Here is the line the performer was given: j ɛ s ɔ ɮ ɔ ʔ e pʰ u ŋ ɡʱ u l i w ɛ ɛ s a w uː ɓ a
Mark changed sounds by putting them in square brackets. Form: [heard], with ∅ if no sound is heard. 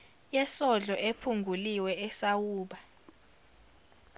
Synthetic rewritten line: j ɛ s ɔ ɮ ɔ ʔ e pʰ u ŋ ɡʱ u l i w ɛ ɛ s a w uː ɓ a